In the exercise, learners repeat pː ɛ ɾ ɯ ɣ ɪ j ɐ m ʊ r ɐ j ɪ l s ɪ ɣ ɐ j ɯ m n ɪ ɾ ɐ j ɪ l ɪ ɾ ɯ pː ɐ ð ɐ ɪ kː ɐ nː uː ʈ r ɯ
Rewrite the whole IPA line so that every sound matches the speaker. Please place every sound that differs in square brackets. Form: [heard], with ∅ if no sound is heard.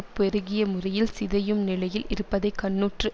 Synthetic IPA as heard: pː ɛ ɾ ɯ ɣ ɪ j ɐ m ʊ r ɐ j ɪ l s ɪ [ð] ɐ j ɯ m n ɪ [l] ɐ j ɪ l ɪ ɾ ɯ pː ɐ ð ɐ ɪ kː ɐ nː uː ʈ r ɯ